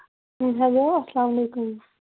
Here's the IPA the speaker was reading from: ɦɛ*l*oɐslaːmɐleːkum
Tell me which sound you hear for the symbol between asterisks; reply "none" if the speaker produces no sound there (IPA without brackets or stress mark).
l